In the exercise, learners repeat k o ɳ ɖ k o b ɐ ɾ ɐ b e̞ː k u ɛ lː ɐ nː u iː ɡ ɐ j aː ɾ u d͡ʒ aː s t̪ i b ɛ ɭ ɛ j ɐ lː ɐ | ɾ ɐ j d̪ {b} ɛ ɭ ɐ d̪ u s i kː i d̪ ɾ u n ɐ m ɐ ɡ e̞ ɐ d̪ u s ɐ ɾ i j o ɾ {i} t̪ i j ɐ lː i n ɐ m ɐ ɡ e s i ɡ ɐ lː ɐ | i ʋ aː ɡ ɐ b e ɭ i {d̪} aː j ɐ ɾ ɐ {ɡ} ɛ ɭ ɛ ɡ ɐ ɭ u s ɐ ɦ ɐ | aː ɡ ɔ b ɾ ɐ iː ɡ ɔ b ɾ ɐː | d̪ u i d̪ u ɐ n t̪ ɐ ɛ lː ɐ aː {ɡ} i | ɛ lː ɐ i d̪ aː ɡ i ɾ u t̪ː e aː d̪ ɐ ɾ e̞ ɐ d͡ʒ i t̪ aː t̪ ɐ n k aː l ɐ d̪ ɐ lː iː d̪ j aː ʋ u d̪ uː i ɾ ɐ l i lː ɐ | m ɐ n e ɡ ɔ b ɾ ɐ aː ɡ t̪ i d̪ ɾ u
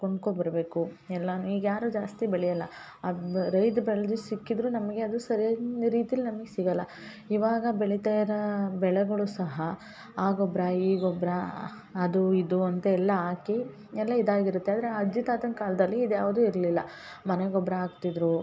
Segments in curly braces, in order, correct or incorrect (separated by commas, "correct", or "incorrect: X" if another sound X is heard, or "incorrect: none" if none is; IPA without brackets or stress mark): correct, incorrect: iː, incorrect: t̪, incorrect: b, incorrect: k